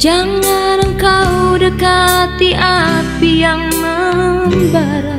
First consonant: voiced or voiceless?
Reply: voiced